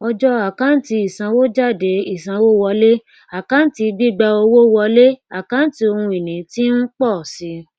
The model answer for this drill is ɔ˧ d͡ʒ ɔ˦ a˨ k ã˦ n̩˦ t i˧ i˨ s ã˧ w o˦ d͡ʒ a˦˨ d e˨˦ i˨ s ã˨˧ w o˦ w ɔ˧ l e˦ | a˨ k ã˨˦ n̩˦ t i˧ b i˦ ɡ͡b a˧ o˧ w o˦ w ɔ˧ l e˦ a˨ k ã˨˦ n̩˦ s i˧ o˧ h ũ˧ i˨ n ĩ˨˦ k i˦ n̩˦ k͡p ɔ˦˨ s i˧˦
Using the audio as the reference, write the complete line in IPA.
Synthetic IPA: ɔ˧ d͡ʒ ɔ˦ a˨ k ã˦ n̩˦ t i˧ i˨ s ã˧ w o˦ d͡ʒ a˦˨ d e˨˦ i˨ s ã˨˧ w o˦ w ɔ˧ l e˦ | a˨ k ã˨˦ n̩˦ t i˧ b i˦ ɡ͡b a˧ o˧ w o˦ w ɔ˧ l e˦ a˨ k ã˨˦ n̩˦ t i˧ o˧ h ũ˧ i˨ n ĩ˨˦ t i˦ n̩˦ k͡p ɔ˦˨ s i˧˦